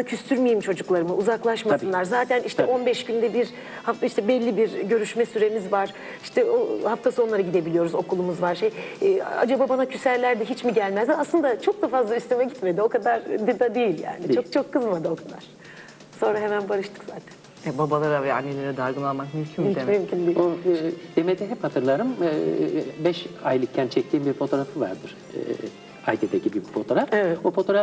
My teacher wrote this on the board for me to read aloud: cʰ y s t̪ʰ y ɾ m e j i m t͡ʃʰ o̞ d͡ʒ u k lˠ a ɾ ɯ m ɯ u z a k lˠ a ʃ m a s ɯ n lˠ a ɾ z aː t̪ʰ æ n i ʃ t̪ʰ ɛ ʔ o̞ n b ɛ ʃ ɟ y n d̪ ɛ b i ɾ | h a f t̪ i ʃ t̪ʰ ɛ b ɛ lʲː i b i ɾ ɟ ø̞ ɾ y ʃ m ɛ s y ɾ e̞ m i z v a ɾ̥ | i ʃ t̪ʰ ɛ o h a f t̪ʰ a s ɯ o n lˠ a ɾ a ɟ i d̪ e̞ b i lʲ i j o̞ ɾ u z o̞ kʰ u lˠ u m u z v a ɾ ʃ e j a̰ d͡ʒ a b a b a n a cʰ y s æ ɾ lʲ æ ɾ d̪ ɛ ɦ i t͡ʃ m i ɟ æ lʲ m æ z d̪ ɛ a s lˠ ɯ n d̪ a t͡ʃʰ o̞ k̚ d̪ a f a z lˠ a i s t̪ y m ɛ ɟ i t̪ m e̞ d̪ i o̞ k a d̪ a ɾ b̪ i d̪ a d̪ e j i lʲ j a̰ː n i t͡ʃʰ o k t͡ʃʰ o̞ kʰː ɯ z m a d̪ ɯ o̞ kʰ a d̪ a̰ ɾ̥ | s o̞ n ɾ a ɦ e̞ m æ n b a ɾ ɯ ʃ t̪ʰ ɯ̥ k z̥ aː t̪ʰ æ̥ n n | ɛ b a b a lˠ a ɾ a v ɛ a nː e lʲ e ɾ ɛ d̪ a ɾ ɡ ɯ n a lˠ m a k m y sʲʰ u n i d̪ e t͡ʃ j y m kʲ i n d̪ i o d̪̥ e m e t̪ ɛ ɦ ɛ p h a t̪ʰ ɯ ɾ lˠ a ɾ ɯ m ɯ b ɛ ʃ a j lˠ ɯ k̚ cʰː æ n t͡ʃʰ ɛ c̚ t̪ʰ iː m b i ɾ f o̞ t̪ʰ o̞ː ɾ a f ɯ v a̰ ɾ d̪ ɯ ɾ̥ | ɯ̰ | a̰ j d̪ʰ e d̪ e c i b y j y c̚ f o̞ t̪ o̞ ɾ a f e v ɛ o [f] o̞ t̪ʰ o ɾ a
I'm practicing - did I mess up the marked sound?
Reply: no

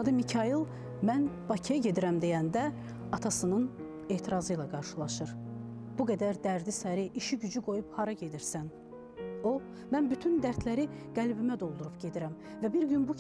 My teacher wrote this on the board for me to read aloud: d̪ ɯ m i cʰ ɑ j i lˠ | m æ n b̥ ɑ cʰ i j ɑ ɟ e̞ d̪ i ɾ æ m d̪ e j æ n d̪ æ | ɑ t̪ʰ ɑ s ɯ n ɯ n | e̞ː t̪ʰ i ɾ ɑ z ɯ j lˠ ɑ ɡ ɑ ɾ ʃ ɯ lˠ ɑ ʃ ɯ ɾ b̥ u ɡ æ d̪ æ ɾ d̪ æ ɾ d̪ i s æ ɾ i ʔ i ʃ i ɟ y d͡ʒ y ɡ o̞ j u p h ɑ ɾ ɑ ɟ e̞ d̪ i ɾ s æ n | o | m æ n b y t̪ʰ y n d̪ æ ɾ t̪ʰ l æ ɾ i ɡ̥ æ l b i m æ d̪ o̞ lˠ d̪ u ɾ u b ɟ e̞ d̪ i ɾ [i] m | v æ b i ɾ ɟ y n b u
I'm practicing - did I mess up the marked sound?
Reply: yes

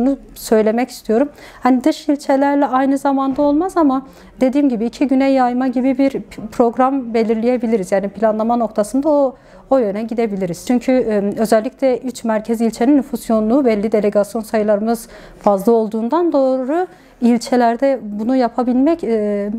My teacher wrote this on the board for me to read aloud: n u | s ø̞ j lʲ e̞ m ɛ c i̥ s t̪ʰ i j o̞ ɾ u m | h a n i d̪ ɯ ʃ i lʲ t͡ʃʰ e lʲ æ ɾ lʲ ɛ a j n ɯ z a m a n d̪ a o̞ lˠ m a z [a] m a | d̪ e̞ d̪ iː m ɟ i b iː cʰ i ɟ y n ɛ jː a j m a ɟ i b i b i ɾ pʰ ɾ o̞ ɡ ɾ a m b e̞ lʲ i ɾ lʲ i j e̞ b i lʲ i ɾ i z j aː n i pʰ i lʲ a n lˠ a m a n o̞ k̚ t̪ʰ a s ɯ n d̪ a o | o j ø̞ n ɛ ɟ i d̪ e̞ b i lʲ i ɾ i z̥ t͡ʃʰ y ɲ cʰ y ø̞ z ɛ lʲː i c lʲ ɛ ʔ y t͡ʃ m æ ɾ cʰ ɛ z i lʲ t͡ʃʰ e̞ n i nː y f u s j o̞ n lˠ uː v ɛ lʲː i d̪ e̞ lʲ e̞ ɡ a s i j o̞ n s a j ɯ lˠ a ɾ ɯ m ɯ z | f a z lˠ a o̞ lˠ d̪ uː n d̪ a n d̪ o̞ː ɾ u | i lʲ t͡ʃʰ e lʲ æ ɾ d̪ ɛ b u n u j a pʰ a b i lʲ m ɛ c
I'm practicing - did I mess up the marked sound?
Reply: no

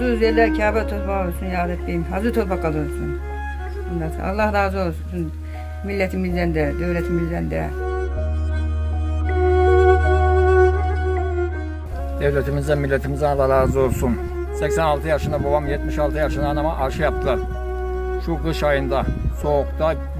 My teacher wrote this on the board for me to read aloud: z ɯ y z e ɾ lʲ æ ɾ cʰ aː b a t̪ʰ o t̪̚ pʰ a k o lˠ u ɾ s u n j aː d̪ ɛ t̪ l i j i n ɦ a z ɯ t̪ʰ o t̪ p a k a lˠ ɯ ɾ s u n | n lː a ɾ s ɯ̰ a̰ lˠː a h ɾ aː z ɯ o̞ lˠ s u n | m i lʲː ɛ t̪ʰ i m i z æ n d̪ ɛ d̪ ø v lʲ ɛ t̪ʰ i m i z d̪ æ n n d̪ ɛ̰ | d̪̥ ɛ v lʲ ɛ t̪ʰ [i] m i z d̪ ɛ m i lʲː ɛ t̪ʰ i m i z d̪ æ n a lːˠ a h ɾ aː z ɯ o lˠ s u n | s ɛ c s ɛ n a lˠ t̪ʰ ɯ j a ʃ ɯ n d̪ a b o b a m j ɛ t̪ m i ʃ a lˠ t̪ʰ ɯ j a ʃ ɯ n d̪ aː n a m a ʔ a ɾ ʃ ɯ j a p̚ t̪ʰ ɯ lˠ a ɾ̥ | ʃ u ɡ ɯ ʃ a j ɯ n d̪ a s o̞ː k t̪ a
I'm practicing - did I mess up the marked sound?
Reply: no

